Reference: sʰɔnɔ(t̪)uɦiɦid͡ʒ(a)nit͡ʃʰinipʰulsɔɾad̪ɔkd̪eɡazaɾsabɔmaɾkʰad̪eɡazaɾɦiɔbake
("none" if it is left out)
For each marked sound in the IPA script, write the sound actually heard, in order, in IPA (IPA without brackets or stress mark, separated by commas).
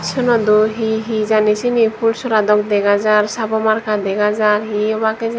d̪, a